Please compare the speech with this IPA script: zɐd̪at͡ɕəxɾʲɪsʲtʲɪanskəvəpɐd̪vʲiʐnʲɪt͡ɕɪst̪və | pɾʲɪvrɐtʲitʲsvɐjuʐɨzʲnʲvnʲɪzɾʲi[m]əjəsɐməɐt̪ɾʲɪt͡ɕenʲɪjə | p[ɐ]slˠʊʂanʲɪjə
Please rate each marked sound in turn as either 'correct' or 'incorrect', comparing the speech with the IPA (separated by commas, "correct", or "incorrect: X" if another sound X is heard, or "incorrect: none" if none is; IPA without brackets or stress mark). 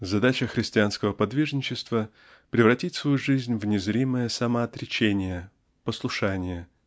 correct, incorrect: ə